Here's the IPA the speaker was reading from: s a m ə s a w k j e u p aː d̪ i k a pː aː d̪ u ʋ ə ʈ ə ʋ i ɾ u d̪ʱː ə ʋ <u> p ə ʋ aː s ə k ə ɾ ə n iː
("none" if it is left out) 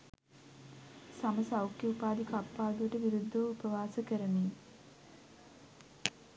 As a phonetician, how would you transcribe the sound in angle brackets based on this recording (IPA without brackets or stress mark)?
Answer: u